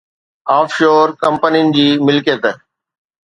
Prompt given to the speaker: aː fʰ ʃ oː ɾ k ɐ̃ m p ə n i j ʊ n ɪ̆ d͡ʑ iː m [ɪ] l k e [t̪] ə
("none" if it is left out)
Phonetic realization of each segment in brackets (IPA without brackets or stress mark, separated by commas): ɪ, t̪